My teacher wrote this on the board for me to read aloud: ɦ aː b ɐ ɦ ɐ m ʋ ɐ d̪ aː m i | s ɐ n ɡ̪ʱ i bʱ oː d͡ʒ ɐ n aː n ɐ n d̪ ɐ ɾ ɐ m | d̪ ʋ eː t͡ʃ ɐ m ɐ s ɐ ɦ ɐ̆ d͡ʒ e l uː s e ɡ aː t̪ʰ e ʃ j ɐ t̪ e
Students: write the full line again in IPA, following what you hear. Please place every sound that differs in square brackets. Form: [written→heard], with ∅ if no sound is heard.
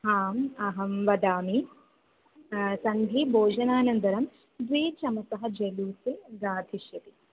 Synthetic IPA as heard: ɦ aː [b→m] ɐ ɦ ɐ m ʋ ɐ d̪ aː m i | s ɐ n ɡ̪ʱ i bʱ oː d͡ʒ ɐ n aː n ɐ n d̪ ɐ ɾ ɐ m | d̪ ʋ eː t͡ʃ ɐ m ɐ s ɐ ɦ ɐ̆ d͡ʒ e l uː s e ɡ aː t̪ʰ [e→i] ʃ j ɐ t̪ [e→i]